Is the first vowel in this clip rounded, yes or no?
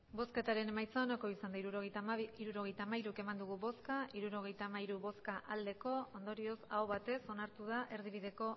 yes